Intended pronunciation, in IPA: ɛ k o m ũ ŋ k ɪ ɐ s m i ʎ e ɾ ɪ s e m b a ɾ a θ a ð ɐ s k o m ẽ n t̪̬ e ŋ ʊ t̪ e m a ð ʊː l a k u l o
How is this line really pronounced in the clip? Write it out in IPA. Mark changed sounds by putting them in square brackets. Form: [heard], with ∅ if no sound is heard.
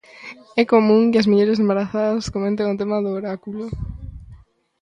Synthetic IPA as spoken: ɛ k o m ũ ŋ k ɪ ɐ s m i ʎ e ɾ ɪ s e m b a ɾ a θ a ð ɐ s k o m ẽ n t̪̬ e ŋ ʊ t̪ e m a ð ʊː [ɾ] a k u l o